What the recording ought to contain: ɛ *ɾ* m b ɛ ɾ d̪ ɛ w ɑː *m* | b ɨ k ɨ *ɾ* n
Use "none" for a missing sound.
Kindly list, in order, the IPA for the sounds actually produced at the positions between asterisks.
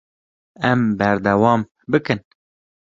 none, m, none

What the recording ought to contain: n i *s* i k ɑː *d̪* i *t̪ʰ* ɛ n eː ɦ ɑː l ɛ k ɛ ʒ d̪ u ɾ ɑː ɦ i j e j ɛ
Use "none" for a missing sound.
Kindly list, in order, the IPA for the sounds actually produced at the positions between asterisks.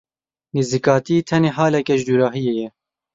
z, t̪, t̪ʰ

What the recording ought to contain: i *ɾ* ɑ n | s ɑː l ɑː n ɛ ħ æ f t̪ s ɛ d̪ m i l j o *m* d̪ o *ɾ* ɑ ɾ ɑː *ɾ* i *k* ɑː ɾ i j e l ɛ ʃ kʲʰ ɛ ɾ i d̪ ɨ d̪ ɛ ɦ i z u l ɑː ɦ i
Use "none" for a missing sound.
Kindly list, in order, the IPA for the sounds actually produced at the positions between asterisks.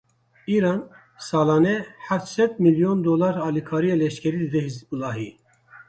ɾ, n, l, l, kʰ

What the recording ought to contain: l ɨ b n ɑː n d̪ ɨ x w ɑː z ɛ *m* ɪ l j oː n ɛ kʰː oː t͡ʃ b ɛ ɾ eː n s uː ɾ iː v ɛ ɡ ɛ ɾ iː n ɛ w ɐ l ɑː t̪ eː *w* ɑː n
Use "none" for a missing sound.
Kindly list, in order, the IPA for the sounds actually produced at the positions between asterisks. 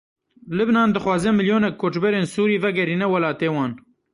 m, w

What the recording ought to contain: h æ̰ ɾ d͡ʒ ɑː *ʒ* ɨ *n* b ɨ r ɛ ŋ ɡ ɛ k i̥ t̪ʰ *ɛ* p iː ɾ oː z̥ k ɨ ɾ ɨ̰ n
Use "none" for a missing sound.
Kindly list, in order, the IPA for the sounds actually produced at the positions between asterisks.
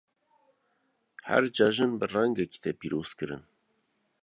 ʒ, n, ɛ

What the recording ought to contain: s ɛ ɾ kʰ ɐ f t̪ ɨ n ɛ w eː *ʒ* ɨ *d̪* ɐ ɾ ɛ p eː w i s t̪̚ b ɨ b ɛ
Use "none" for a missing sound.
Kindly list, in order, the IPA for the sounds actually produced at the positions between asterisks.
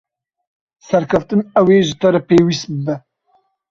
ʒ, t̪

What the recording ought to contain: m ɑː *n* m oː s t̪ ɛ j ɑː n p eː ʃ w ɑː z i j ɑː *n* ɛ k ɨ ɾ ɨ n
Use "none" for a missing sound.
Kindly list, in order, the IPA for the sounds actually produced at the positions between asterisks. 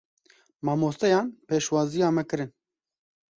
none, m

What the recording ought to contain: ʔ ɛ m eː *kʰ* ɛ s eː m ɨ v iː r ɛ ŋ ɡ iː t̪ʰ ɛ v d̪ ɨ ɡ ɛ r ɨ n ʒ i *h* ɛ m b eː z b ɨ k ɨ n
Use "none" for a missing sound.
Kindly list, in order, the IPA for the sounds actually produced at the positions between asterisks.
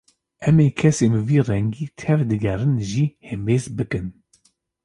kʰ, h

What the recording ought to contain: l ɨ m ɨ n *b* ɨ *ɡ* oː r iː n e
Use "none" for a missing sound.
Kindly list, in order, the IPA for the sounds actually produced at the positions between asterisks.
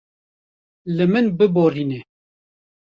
b, b

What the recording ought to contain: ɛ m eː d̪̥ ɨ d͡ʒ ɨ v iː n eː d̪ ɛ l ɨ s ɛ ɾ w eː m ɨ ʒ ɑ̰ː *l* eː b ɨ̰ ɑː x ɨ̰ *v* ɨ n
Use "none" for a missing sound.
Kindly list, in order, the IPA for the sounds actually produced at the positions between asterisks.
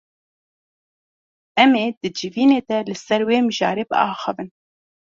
ɾ, v

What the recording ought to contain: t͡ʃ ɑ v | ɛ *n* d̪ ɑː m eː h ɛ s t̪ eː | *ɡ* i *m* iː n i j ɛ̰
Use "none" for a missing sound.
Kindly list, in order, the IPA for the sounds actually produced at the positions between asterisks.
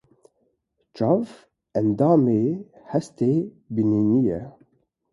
n, b, n

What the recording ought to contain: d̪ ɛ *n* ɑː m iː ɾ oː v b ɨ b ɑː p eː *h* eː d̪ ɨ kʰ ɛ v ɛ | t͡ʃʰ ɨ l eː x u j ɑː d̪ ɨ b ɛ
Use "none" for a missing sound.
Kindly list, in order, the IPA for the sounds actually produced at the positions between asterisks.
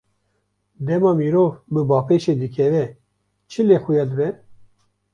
m, ʃ

